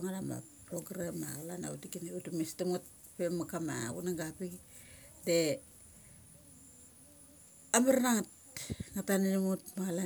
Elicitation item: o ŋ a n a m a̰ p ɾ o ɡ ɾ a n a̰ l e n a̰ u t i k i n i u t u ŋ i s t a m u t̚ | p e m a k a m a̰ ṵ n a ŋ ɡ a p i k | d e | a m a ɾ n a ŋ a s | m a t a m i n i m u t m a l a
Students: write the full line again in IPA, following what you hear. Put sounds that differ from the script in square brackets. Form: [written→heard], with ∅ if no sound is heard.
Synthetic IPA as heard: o ŋ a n a m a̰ p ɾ o ɡ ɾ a [n→m] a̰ l [e→a] n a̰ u t i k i n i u t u [ŋ→m] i s t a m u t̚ | p e m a k a m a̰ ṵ n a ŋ ɡ a p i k | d e | a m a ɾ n a ŋ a [s→t] | [m→ŋ] a t a [m→n] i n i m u t m a l a